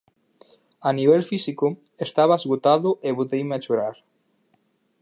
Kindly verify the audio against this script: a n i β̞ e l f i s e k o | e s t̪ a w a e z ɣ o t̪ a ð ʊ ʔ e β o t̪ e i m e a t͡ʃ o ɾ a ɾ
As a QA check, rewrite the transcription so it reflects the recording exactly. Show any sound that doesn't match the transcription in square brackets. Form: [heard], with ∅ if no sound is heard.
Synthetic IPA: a n i β̞ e l f i s [i] k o | e s t̪ a [β] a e z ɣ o t̪ a ð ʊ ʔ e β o t̪ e [j] m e a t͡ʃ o ɾ a ɾ